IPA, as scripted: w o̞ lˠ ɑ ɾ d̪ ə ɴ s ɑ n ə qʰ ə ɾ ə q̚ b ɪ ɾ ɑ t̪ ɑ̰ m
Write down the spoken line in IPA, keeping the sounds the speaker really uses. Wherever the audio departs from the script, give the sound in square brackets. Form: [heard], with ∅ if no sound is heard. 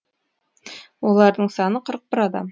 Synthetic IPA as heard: w o̞ lˠ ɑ ɾ d̪ ə ɴ s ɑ n ə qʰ ə ɾ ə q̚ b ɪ ɾ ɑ [d̪] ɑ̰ m